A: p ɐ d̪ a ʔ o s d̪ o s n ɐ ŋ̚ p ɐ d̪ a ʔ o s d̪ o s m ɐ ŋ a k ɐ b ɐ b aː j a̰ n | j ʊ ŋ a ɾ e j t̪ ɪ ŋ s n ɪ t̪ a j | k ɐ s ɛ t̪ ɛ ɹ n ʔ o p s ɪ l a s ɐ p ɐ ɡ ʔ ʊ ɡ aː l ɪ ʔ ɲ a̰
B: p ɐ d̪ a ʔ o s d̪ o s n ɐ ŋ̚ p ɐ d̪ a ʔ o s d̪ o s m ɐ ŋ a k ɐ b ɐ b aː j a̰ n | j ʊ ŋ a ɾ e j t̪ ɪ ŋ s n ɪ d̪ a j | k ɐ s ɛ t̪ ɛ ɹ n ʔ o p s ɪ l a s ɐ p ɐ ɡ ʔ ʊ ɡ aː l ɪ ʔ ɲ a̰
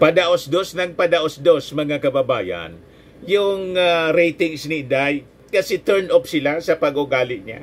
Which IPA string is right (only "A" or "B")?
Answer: B